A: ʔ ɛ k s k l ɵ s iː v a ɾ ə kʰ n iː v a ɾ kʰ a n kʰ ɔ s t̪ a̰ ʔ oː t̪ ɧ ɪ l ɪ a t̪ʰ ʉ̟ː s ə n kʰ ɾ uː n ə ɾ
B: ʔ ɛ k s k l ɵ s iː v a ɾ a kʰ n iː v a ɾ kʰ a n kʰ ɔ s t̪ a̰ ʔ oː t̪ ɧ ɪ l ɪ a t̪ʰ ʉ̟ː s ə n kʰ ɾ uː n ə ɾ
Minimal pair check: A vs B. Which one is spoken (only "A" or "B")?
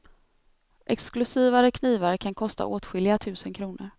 A